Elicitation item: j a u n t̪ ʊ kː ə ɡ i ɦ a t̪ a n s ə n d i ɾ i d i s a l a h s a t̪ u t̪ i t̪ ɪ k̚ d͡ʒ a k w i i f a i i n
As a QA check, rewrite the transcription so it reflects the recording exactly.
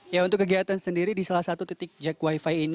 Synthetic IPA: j a u n t̪ ʊ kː ə ɡ i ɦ a t̪ a n s ə n d i ɾ i d i s a l a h s a t̪ u t̪ i t̪ ɪ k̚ d͡ʒ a k w a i f a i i n